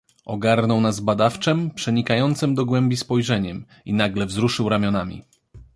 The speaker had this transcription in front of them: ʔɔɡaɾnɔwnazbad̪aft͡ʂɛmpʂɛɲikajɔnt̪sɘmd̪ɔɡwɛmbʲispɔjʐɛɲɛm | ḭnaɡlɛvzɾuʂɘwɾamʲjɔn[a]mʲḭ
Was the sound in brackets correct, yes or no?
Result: yes